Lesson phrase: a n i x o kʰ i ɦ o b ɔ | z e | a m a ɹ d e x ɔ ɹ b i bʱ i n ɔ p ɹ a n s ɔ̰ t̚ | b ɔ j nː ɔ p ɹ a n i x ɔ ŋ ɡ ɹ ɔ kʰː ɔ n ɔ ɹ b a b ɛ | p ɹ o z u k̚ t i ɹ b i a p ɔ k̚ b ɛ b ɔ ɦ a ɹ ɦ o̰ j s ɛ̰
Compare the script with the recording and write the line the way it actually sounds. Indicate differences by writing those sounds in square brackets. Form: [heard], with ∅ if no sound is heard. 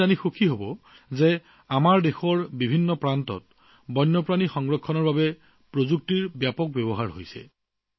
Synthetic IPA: a n i x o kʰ i ɦ o b ɔ | z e | a m a ɹ d e x ɔ ɹ b i bʱ i [nː] ɔ p ɹ a n [t] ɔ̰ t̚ | b ɔ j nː ɔ p ɹ a n i x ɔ ŋ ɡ ɹ ɔ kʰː ɔ n ɔ ɹ b a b ɛ | p ɹ o z u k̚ t i ɹ b [j] a p ɔ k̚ b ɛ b ɔ ɦ a ɹ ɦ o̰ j s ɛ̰